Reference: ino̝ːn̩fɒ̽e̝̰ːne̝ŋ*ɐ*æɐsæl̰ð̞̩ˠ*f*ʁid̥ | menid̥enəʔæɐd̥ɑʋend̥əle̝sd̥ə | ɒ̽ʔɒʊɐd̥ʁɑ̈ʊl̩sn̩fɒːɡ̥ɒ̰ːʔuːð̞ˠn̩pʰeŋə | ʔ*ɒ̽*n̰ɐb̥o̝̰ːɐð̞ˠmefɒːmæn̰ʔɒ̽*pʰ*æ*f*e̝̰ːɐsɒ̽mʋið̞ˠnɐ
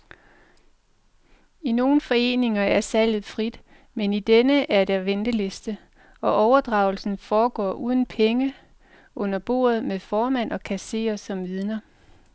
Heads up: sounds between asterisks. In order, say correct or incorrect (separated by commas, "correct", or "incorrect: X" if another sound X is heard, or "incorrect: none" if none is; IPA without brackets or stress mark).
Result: correct, correct, incorrect: ɔ̽, incorrect: kʰ, incorrect: s